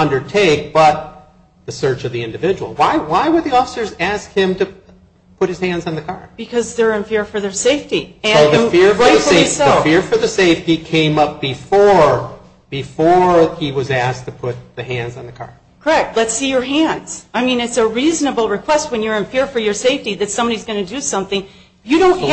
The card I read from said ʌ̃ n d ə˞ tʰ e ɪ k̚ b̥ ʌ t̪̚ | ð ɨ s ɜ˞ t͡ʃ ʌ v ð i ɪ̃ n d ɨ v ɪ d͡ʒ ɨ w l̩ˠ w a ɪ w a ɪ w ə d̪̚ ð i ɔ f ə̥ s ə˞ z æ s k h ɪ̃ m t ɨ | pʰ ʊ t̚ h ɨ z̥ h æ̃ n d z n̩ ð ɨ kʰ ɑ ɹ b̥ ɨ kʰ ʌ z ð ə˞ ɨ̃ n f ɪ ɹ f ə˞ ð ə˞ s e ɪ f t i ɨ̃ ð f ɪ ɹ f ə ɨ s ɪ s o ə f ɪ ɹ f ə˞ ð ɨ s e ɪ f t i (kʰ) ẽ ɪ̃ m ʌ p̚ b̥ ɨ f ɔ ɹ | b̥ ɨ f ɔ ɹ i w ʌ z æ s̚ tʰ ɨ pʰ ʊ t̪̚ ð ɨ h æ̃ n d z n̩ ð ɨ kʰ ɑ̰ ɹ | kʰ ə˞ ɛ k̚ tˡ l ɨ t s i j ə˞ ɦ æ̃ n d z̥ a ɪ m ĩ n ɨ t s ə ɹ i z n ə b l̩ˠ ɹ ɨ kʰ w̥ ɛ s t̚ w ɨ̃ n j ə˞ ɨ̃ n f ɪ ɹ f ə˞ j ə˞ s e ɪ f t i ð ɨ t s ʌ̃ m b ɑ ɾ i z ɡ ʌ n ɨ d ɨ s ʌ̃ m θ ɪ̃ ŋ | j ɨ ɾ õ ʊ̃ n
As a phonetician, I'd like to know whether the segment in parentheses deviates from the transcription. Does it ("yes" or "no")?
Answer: no